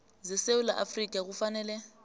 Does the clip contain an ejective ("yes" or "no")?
yes